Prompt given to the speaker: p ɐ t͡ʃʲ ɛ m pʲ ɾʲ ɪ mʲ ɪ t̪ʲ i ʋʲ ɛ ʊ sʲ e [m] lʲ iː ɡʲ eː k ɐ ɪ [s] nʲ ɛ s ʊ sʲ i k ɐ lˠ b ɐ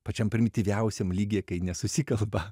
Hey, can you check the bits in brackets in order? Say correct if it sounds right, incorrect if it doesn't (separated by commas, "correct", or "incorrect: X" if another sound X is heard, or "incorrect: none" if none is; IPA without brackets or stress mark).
correct, incorrect: none